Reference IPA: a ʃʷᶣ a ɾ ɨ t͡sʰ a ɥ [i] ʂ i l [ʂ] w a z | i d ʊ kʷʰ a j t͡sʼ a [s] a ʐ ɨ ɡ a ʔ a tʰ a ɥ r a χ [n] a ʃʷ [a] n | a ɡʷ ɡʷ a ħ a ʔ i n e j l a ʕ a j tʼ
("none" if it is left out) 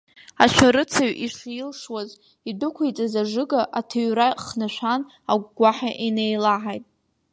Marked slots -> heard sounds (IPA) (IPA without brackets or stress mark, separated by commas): i, ʂ, z, n, a